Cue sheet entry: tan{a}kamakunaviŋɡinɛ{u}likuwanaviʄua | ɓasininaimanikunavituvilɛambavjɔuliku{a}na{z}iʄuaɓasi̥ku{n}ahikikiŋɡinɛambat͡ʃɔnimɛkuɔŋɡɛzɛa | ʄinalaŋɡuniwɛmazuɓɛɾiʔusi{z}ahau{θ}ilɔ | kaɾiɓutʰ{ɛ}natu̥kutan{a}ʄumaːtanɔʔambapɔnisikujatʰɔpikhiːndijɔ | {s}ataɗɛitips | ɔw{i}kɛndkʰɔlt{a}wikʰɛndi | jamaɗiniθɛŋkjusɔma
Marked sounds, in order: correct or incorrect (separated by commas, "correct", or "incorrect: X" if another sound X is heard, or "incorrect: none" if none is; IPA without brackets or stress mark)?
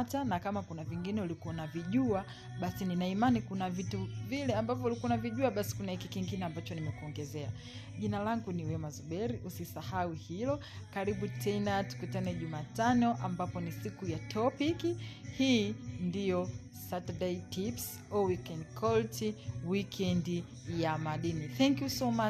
correct, correct, correct, incorrect: v, correct, incorrect: s, incorrect: h, correct, incorrect: ɛ, correct, correct, incorrect: i